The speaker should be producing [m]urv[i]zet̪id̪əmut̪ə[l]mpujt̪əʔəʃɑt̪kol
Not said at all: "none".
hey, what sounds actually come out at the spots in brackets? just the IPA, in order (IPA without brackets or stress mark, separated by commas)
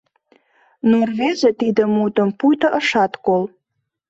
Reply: n, e, none